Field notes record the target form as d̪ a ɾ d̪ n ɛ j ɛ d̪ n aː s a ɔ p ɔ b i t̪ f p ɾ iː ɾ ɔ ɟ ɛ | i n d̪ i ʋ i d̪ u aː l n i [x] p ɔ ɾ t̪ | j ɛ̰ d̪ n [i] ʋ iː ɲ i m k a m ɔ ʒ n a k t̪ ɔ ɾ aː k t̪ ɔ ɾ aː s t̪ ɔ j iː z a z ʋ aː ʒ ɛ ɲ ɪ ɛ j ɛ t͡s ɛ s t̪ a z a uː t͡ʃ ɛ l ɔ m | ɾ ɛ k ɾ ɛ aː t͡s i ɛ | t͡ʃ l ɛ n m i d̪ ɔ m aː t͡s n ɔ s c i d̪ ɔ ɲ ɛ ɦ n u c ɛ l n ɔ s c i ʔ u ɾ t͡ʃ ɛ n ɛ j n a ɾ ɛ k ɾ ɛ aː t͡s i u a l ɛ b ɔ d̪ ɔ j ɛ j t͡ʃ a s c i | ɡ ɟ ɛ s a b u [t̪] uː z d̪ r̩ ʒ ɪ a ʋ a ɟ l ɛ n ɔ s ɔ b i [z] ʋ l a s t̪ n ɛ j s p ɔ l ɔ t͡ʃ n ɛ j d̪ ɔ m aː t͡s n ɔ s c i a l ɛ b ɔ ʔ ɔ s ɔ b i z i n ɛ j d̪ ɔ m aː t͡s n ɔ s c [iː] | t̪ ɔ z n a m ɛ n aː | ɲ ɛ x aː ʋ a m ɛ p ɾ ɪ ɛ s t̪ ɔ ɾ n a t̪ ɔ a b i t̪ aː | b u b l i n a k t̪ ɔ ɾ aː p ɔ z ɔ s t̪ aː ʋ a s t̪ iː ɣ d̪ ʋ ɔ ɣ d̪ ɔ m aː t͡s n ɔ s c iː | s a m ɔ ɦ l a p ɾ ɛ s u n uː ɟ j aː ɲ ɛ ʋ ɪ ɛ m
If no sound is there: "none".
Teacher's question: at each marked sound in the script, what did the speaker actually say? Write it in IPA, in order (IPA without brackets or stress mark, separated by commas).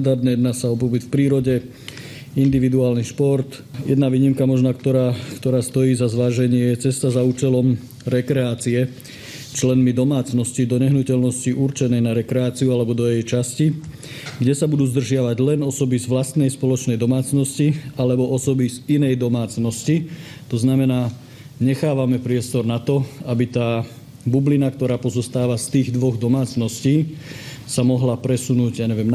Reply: ʃ, a, d̪, z, i